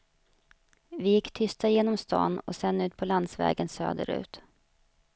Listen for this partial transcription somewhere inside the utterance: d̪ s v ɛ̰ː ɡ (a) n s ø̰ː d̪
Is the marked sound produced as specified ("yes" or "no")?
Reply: no